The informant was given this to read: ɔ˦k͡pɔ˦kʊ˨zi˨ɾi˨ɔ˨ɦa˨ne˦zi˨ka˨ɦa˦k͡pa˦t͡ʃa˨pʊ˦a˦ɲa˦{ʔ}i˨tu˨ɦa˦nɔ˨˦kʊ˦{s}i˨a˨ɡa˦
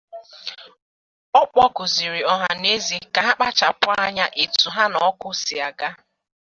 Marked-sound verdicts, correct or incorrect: correct, correct

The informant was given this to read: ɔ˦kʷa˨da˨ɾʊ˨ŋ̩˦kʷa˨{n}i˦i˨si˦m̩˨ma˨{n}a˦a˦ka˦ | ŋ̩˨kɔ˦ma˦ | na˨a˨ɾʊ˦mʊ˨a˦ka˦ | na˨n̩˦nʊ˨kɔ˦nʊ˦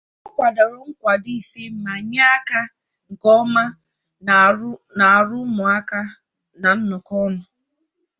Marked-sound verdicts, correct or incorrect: incorrect, incorrect

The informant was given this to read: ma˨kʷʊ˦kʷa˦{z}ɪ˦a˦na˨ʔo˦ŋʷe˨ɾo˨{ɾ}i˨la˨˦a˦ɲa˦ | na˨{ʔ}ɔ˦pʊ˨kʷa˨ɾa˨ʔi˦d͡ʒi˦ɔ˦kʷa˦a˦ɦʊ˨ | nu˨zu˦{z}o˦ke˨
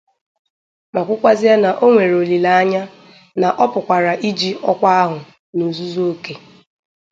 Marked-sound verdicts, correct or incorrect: correct, incorrect, correct, correct

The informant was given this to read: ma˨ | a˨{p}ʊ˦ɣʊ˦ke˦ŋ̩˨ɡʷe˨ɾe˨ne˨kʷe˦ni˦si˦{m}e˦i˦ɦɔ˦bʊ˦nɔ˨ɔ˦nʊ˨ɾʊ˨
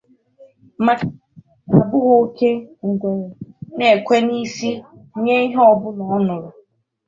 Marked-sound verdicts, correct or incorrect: incorrect, incorrect

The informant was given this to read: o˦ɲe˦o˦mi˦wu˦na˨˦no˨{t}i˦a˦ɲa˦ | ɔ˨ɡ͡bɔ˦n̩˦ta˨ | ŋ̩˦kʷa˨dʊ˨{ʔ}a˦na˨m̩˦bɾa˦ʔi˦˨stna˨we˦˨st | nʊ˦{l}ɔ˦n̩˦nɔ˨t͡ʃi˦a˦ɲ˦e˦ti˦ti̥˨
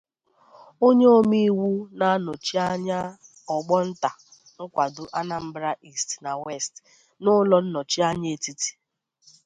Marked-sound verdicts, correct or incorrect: incorrect, correct, correct

